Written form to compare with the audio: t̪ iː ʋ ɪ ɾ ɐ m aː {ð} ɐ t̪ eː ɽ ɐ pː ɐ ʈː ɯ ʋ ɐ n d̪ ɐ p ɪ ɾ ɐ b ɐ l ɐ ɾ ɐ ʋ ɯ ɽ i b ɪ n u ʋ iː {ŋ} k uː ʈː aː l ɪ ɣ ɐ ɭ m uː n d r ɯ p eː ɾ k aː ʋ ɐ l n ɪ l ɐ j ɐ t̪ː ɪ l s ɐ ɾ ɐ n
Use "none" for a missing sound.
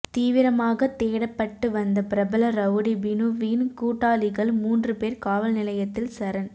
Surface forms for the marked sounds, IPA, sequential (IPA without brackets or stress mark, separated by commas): ɣ, n